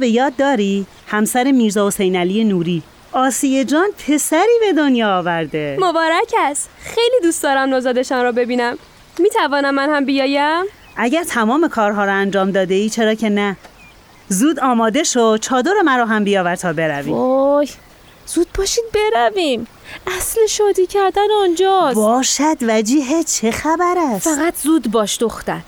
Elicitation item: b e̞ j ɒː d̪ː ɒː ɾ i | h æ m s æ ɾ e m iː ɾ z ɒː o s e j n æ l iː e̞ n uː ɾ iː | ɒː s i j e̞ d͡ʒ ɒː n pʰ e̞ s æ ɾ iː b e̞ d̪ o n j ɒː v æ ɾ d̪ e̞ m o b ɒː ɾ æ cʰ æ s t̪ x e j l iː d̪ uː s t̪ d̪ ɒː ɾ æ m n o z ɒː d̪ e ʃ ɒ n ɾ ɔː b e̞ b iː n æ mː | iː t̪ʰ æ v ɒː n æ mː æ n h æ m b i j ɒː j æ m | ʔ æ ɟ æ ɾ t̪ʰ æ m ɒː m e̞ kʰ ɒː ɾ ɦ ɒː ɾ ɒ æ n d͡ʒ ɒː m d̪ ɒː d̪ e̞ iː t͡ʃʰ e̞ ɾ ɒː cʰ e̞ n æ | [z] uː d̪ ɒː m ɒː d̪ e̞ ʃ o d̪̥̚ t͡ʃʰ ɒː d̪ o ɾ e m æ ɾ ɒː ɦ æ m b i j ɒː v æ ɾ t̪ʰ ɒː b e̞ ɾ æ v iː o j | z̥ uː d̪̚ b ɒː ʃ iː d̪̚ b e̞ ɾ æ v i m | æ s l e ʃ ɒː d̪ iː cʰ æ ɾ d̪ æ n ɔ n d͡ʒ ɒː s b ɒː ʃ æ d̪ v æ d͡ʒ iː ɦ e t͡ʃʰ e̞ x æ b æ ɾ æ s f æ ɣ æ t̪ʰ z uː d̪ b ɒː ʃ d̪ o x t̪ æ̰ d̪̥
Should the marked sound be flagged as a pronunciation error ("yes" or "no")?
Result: no